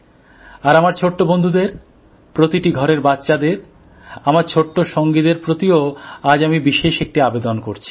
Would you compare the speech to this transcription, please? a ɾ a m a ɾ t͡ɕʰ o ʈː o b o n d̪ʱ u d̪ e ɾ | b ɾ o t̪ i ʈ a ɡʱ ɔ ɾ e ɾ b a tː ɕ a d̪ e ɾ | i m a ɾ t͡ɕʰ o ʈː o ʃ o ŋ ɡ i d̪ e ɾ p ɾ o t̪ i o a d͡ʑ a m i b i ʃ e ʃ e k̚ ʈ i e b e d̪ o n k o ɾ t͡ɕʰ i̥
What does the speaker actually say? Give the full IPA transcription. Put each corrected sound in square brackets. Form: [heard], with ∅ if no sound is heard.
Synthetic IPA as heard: a ɾ a m a ɾ t͡ɕʰ o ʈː o b o n d̪ʱ u d̪ e ɾ | [p] ɾ o t̪ i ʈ [i] ɡʱ ɔ ɾ e ɾ b a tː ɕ a d̪ e ɾ | [a] m a ɾ t͡ɕʰ o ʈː o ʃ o ŋ ɡ i d̪ e ɾ p ɾ o t̪ i o a d͡ʑ a m i b i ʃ e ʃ e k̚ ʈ i [a] b e d̪ o n k o ɾ t͡ɕʰ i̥